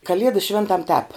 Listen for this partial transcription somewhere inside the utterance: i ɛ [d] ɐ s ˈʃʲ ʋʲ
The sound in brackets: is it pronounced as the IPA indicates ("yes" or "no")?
yes